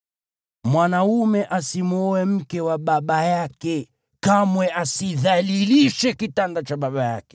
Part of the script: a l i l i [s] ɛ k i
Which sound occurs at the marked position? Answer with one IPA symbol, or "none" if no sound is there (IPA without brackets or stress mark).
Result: ʃ